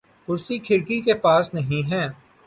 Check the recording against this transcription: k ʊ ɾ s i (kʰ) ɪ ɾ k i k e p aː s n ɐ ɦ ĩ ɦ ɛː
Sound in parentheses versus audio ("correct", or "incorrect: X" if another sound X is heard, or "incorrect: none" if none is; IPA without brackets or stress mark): correct